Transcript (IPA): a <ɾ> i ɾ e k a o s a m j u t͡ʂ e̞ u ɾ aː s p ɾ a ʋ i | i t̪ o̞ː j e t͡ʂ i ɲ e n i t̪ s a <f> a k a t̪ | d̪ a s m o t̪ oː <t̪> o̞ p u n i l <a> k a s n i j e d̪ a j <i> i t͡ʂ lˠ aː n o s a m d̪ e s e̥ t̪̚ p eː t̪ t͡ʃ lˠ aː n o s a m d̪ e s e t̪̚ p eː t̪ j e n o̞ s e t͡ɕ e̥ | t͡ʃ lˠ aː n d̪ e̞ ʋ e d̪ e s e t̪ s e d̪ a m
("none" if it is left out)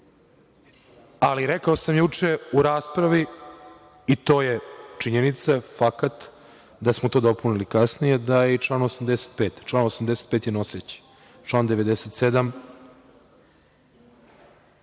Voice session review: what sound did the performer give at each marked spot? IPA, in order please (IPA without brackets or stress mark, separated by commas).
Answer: l, f, d̪, i, e